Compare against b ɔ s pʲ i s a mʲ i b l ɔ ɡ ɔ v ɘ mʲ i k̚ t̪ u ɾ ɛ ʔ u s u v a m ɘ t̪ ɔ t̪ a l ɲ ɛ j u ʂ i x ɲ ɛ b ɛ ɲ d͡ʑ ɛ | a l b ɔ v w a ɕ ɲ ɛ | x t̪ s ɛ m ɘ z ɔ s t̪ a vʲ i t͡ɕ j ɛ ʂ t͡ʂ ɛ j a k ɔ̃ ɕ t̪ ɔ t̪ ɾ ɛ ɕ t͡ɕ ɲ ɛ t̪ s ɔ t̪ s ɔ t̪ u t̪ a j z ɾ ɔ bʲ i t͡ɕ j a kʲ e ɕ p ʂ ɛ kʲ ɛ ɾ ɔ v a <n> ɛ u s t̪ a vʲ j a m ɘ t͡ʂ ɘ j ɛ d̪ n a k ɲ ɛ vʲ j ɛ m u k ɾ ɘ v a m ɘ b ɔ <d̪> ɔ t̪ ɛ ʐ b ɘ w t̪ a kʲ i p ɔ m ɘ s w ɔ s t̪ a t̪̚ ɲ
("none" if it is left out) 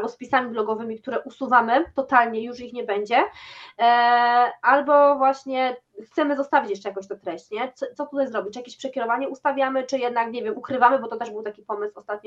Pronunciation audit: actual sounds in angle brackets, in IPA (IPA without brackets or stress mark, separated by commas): ɲ, t̪